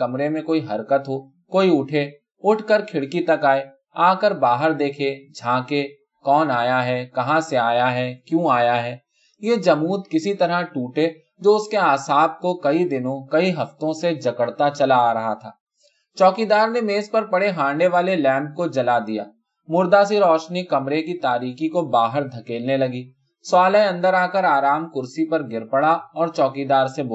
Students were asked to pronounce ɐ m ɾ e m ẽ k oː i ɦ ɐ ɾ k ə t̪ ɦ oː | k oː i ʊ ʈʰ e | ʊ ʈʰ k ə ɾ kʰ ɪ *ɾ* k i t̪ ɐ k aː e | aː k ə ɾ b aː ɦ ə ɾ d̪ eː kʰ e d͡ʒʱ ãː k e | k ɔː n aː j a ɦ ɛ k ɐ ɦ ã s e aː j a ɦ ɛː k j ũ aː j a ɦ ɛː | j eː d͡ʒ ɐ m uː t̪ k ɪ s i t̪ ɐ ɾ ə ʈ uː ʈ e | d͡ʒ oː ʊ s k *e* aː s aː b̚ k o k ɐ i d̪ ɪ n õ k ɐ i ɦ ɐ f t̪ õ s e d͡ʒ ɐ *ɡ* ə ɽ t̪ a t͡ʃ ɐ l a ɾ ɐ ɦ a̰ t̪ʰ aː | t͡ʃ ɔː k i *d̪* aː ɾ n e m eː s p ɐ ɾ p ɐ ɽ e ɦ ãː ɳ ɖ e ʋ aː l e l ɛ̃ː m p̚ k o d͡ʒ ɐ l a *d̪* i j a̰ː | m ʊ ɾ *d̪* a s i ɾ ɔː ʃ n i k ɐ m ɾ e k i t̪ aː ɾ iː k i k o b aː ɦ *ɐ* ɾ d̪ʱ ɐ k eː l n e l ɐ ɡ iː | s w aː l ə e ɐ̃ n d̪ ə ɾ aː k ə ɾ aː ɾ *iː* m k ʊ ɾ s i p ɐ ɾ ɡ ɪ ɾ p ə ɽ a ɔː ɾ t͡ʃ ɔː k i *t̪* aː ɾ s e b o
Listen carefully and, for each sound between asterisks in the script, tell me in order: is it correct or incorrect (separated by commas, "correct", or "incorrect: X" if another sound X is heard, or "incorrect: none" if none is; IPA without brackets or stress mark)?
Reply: incorrect: ɽ, correct, incorrect: k, correct, correct, correct, incorrect: ə, incorrect: aː, incorrect: d̪